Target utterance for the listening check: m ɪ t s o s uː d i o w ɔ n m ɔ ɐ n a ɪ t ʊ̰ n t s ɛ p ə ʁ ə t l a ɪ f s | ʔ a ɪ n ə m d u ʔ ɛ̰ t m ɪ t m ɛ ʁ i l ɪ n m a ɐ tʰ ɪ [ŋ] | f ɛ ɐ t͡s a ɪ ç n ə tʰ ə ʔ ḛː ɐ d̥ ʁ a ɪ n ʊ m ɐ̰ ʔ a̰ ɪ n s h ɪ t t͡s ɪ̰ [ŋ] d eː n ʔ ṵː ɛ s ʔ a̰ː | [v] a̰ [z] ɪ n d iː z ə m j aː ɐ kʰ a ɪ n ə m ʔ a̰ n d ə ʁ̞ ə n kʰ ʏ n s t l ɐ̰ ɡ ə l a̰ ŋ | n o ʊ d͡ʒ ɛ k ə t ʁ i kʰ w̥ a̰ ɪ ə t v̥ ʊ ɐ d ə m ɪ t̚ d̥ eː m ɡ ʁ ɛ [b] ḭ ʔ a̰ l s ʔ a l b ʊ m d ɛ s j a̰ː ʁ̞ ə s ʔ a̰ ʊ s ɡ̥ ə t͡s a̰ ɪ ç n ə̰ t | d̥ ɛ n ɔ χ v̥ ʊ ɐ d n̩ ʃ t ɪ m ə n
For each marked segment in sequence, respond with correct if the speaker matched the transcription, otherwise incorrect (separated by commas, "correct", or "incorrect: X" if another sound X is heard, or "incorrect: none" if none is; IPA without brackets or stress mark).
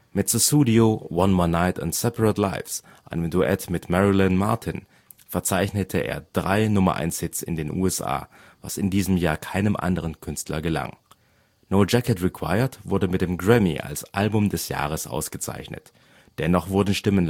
incorrect: n, incorrect: n, correct, incorrect: s, incorrect: m